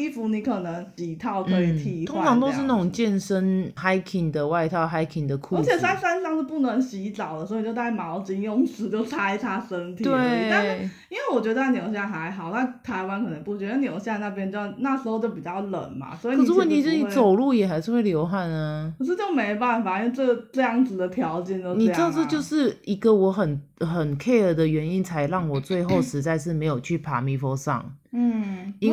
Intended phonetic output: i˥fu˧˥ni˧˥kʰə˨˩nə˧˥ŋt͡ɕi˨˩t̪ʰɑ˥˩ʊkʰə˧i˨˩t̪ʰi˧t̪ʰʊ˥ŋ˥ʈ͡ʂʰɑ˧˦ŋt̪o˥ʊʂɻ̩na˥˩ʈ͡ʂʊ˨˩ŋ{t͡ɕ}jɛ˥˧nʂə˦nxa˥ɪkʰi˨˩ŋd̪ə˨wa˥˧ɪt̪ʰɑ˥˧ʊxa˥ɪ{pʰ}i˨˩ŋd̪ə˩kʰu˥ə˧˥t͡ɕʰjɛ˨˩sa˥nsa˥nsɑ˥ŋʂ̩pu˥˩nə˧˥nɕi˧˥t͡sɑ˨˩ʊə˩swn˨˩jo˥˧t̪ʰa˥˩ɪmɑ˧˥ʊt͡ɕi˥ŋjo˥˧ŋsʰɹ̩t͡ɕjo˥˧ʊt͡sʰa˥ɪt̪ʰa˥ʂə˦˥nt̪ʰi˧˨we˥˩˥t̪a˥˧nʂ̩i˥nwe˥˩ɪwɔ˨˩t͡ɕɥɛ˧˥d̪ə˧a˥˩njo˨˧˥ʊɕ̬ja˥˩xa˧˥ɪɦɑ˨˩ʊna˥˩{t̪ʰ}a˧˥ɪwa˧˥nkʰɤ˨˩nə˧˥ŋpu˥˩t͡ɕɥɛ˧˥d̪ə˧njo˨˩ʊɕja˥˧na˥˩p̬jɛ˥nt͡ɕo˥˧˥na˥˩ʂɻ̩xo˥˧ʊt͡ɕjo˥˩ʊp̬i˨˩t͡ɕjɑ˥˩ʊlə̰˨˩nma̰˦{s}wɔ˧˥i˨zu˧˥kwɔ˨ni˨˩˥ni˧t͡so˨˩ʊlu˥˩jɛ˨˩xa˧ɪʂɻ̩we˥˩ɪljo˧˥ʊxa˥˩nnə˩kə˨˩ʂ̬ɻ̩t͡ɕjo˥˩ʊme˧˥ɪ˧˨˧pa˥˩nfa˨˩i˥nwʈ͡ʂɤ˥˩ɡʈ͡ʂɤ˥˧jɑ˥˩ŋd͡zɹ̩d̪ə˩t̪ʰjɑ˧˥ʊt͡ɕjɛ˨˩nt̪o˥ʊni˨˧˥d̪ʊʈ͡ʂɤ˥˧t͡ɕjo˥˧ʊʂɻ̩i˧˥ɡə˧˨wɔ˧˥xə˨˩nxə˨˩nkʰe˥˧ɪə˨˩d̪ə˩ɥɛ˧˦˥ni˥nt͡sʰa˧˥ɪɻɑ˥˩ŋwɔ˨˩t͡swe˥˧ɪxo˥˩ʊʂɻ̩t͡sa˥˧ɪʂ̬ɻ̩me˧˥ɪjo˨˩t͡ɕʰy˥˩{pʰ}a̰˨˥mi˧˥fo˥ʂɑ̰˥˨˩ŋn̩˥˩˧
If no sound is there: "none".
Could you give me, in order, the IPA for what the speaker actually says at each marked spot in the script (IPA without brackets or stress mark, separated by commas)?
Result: t͡ɕ, kʰ, t̪ʰ, s, pʰ